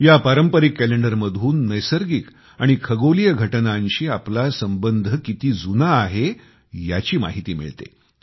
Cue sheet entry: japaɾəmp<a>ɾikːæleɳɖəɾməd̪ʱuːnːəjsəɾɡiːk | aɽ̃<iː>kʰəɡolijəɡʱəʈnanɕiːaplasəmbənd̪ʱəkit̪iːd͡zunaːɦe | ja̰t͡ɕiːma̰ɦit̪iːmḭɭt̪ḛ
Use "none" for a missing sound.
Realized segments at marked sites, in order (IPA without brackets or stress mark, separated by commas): ə, i